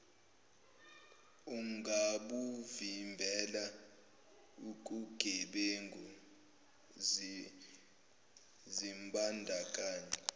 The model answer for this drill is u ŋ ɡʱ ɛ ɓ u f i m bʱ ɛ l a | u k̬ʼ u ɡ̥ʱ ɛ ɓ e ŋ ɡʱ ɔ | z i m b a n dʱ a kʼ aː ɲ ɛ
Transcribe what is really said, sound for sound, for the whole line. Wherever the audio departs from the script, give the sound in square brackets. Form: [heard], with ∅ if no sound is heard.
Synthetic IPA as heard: u ŋ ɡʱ [a] ɓ u [v] i m bʱ ɛ l a | u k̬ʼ u ɡ̥ʱ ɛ ɓ e ŋ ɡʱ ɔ | z i m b a n dʱ a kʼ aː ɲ ɛ